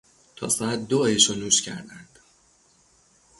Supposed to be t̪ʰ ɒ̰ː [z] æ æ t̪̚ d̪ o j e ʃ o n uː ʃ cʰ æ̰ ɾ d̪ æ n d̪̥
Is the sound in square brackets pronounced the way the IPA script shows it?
no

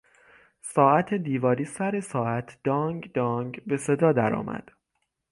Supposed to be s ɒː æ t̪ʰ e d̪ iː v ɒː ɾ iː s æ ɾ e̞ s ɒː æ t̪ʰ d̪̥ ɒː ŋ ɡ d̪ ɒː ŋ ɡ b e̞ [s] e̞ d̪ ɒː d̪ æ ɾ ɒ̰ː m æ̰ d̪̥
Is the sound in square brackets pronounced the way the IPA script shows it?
yes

